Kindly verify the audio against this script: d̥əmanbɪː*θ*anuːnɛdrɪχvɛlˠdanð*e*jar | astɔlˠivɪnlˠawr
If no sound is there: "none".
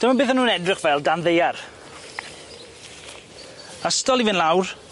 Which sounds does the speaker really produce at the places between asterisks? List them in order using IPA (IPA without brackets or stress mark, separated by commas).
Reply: θ, e